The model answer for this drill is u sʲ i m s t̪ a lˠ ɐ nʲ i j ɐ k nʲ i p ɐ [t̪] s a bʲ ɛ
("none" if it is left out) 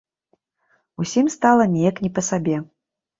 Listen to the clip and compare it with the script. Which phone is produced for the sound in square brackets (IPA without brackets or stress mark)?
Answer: none